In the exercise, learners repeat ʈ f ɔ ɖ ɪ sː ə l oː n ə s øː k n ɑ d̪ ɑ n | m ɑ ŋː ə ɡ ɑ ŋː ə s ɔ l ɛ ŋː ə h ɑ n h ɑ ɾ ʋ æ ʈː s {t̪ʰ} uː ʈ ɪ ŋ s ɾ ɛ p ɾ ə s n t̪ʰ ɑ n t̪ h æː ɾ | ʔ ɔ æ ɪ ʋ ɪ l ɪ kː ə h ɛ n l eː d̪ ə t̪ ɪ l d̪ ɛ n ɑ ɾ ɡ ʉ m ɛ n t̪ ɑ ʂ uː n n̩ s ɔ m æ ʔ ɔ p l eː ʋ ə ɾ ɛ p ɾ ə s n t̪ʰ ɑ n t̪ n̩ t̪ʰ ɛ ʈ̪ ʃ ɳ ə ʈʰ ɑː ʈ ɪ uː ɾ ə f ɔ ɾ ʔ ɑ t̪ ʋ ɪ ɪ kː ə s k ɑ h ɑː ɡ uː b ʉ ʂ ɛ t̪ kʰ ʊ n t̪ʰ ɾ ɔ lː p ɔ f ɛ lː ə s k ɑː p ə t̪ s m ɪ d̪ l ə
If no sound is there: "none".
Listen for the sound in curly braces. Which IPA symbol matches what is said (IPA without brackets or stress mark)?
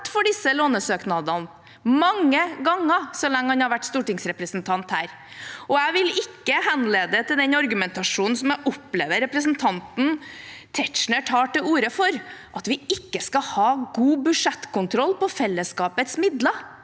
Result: t̪